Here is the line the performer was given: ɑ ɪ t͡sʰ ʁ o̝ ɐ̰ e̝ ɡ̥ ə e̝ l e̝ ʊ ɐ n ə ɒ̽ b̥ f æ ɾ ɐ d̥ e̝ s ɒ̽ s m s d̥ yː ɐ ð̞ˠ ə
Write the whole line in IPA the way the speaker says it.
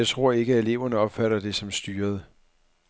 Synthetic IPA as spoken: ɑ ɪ t͡sʰ ʁ o̝ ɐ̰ e̝ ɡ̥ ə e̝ l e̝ ʊ ɐ n ə ɒ̽ b̥ f æ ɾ ɐ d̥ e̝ s ɒ̽ m s d̥ yː ɐ ð̞ˠ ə